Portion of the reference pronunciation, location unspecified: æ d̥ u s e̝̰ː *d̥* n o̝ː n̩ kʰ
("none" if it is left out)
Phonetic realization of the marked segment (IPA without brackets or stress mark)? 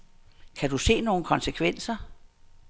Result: none